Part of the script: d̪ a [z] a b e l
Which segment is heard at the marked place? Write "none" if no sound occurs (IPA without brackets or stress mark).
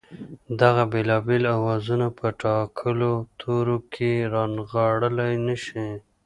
ɣ